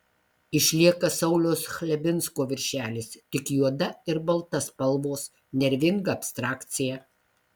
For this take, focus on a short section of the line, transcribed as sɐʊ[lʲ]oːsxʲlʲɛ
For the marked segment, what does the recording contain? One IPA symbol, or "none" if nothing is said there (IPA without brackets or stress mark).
lʲ